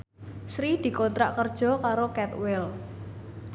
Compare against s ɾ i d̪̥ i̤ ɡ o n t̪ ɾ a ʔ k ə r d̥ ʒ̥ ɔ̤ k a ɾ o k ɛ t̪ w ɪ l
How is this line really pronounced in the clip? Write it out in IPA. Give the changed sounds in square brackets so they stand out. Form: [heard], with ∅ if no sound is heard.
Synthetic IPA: s ɾ i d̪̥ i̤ [k] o n t̪ ɾ a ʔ k ə r d̥ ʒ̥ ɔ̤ k a ɾ o k ɛ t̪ w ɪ l